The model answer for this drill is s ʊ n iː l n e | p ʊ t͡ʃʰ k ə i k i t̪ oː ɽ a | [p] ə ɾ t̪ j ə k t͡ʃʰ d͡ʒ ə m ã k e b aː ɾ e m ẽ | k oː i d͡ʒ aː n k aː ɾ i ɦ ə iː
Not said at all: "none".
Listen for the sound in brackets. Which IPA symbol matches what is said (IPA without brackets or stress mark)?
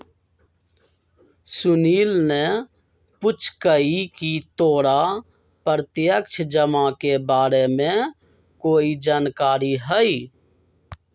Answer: p